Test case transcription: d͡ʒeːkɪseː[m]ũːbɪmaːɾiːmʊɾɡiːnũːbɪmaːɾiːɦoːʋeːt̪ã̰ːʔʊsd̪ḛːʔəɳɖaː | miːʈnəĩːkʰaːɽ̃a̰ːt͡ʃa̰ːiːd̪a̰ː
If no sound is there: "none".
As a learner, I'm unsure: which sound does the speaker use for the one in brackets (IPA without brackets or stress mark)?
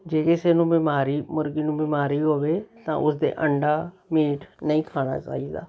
n